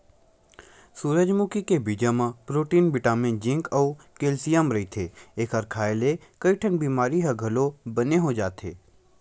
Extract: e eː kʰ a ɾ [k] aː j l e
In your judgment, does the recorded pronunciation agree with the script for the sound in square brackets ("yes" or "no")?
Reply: no